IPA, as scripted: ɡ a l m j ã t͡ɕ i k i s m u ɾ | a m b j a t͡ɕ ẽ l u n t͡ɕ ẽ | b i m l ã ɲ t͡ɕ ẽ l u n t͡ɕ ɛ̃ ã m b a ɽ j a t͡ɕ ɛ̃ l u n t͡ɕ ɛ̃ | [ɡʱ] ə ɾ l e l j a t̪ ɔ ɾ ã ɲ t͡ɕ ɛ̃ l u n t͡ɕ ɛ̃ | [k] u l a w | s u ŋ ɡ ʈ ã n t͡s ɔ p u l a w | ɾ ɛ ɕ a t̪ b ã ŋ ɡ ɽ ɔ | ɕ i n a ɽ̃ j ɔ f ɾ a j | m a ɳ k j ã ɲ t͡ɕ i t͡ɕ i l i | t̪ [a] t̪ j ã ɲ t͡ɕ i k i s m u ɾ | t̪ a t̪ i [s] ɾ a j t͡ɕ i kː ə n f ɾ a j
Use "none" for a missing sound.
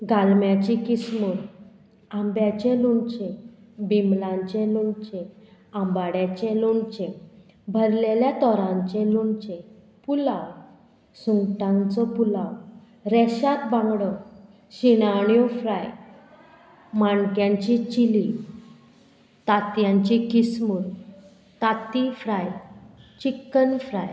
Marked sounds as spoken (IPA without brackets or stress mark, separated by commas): bʱ, p, a, f